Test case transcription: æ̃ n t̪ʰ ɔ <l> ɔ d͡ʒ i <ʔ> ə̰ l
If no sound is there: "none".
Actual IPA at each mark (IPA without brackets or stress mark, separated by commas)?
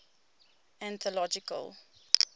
l, k